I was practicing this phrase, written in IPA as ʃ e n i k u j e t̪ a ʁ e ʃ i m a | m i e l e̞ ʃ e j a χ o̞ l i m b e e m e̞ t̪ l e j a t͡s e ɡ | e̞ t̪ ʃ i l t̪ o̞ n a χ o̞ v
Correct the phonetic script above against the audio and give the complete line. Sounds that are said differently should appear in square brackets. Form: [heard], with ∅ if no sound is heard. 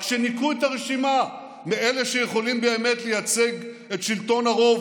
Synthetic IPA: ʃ e n i k u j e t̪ a ʁ e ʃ i m a | m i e l e̞ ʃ e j [e] χ o̞ l i m b e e m e̞ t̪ l e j a t͡s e ɡ | e̞ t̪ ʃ i l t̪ o̞ n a [ʁ] o̞ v